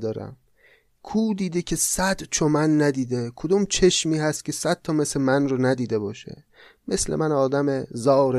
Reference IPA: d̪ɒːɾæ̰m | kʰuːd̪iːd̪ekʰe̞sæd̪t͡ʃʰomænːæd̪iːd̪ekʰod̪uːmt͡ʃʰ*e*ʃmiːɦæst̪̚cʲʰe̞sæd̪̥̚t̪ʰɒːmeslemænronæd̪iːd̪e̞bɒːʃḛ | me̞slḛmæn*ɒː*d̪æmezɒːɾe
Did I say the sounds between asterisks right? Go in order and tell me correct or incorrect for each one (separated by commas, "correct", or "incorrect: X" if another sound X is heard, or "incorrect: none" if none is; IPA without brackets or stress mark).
correct, correct